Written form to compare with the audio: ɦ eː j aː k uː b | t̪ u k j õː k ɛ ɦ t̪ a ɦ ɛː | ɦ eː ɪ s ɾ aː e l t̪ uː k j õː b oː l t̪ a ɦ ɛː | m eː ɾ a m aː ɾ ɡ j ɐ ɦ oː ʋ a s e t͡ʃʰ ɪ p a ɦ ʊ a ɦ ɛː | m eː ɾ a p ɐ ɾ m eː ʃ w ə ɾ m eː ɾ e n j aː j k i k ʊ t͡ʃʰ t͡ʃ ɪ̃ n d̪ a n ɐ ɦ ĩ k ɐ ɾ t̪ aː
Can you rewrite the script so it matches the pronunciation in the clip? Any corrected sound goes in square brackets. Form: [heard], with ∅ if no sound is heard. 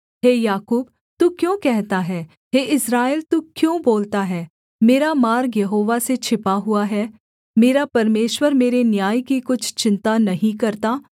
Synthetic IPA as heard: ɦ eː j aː k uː b | t̪ u k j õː k ɛ ɦ t̪ a ɦ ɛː | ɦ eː ɪ s ɾ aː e l t̪ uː k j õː b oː l t̪ a ɦ ɛː | m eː ɾ a m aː ɾ ɡ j ɐ ɦ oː ʋ a s e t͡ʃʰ ɪ p a ɦ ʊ a ɦ ɛː | m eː ɾ a p ɐ ɾ m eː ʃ w ə ɾ m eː ɾ e n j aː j k i k ʊ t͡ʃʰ t͡ʃ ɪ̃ n [t̪] a n ɐ ɦ ĩ k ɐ ɾ t̪ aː